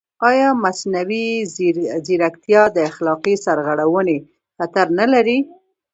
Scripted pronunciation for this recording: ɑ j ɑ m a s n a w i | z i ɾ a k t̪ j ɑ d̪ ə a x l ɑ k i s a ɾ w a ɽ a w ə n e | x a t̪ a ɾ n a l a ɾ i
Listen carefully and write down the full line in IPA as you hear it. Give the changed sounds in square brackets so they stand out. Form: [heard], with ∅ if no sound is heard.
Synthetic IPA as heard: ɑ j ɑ m a s n a w i | z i ɾ a k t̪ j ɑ d̪ ə a x l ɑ [q] i s a ɾ [ɣ] a ɽ a w ə n e | x a t̪ a ɾ n a l a ɾ i

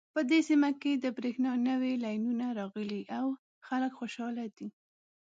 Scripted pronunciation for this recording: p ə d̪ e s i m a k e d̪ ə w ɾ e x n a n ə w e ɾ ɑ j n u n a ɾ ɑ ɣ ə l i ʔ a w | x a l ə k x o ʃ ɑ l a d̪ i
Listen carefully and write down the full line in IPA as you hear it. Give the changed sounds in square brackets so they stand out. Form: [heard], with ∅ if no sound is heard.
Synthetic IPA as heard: p ə d̪ e s i m a k e d̪ ə [b] ɾ e x n [ɑ] n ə w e [l] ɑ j n u n a ɾ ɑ ɣ ə l i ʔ a w | x a l ə k x o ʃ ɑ l a d̪ i

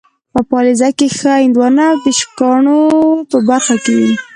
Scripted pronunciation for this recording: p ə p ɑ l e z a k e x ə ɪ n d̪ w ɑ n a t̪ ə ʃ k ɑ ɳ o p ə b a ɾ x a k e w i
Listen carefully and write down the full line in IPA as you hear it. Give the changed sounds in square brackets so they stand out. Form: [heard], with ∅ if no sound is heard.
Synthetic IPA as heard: p ə p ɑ l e z a k e x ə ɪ n d̪ w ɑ n a [d̪] ə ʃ k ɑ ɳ o p ə b a ɾ x a k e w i

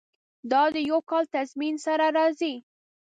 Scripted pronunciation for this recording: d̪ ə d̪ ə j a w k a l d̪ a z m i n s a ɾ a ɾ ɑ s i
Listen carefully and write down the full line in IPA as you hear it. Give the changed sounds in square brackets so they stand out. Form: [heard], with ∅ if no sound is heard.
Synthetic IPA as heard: d̪ [ɑ] d̪ ə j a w k [ɑ] l [t̪] a z m i n s a ɾ a ɾ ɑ [z] i

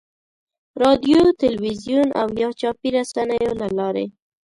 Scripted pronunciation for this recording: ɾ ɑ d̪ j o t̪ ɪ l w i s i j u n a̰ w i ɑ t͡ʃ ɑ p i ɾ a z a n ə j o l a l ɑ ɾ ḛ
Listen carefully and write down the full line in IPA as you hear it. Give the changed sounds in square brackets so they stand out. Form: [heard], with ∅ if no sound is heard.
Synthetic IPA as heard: ɾ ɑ d̪ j o t̪ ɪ l w i [z] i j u n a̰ w [j] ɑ t͡ʃ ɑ p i ɾ a [s] a n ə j o l a l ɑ ɾ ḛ

